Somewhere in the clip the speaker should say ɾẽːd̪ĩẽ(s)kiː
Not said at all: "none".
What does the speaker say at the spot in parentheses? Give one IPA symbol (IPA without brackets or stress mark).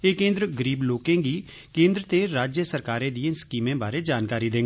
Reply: s